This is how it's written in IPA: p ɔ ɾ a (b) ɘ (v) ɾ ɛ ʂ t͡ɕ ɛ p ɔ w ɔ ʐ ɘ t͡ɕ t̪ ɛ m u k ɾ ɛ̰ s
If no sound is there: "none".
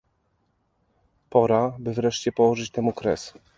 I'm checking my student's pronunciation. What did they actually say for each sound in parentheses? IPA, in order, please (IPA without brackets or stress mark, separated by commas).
b, v